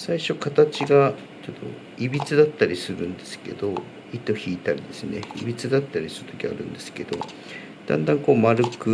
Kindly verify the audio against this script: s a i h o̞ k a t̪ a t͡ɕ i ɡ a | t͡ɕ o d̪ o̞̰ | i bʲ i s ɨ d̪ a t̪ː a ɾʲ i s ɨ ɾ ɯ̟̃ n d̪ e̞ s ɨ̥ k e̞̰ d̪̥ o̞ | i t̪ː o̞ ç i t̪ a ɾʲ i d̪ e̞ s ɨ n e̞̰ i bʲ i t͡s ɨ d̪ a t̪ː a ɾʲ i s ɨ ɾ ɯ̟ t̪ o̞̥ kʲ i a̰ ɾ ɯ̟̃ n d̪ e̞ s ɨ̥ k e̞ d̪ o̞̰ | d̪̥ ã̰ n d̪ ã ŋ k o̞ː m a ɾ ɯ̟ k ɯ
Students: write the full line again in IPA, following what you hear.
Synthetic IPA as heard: s a i ɕ o̞ k a t̪ a t͡ɕ i ɡ a | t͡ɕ o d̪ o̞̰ | i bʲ i t͡s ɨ d̪ a t̪ː a ɾʲ i s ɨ ɾ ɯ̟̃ n d̪ e̞ s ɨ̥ k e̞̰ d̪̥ o̞ | i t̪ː o̞ ç iː t̪ a ɾʲ i d̪ e̞ s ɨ n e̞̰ i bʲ i t͡s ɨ d̪ a t̪ː a ɾʲ i s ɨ ɾ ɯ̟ t̪ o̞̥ kʲ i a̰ ɾ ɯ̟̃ n d̪ e̞ s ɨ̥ k e̞ d̪ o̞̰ | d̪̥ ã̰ n d̪ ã ŋ k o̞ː m a ɾ ɯ̟ k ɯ

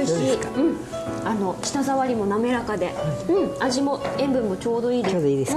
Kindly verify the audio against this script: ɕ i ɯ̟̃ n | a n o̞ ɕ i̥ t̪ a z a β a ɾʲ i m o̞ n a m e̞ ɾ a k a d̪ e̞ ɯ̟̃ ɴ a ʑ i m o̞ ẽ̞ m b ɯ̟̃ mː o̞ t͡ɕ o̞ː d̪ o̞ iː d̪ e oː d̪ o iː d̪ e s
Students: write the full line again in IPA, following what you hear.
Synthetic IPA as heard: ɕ i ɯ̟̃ ɴ | a n o̞ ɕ i̥ t̪ a z a β a ɾʲ i m o̞ n a m e̞ ɾ a k a d̪ e̞ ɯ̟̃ ɴ a ʑ i m o̞ ẽ̞ m b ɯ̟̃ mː o̞ t͡ɕ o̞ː d̪ o̞ iː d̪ e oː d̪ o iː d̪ e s

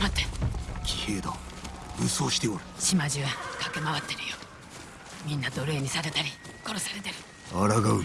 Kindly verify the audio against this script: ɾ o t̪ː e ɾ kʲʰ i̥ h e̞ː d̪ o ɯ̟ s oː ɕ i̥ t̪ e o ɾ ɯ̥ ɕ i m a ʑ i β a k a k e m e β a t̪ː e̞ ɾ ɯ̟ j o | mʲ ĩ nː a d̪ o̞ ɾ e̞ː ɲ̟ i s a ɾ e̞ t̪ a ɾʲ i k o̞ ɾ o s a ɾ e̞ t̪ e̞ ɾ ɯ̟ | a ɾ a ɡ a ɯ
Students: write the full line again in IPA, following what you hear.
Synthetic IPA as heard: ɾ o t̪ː e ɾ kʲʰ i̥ h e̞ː d̪ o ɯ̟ s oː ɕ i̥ t̪ e o ɾ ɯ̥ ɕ i m a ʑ i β a k a k e m a β a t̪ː e̞ ɾ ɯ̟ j o | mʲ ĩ nː a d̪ o̞ ɾ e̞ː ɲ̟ i s a ɾ e̞ t̪ a ɾʲ i k o̞ ɾ o s a ɾ e̞ t̪ e̞ ɾ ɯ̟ | a ɾ a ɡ a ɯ

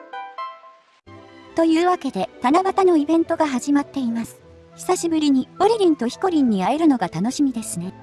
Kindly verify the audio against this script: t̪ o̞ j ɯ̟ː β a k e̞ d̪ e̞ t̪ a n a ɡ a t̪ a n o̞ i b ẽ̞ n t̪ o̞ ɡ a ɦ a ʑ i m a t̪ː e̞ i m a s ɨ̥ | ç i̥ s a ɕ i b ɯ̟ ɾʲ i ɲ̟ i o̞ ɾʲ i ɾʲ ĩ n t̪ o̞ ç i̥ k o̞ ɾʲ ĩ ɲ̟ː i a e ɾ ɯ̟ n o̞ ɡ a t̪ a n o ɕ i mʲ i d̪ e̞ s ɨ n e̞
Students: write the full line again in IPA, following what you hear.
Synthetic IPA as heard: t̪ o̞ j ɯ̟ː β a k e̞ d̪ e̞ t̪ a n a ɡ a t̪ a n o̞ i b ẽ̞ n t̪ o̞ ɡ a ɦ a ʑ i m a t̪ː e̞ i m a s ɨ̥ | ç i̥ s a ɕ i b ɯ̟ ɾʲ i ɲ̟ i o̞ ɾʲ i ɾʲ ĩ n t̪ o̞ ç i̥ k o̞ ɾʲ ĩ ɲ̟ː i a e ɾ ɯ̟ n o̞ ɡ a t̪ a n o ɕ i mʲ i d̪ e̞ s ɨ n e̞

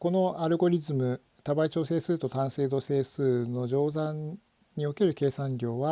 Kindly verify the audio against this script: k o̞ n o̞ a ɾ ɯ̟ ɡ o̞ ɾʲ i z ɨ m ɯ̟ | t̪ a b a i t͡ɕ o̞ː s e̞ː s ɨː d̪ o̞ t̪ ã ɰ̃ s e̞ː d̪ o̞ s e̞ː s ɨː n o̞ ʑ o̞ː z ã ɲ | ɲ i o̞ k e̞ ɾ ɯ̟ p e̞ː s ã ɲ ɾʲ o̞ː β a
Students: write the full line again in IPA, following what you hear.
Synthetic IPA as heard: k o̞ n o̞ a ɾ ɯ̟ ɡ o̞ ɾʲ i z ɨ m ɯ̟ | t̪ a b a i t͡ɕ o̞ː s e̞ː s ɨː t̪ o̞ t̪ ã ɰ̃ s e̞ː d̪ o̞ s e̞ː s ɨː n o̞ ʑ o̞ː z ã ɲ | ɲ i o̞ k e̞ ɾ ɯ̟ k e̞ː s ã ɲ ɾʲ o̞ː β a

